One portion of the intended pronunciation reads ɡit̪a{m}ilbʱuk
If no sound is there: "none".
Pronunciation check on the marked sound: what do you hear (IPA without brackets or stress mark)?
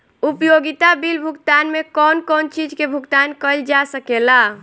b